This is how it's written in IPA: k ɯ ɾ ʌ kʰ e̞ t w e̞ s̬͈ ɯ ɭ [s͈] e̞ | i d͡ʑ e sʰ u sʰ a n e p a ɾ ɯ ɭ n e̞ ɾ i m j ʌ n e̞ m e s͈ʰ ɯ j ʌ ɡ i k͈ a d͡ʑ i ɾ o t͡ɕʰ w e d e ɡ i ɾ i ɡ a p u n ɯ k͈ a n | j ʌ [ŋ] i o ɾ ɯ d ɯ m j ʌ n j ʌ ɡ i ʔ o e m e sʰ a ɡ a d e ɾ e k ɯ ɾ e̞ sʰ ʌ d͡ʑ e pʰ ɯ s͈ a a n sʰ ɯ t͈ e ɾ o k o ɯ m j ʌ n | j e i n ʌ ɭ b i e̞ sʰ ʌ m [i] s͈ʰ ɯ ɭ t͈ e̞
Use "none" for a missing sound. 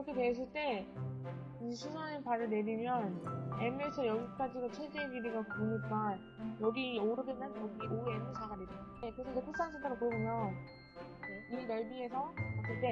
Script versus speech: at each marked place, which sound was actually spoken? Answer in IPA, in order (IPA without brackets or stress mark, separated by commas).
t͈, ɡ, a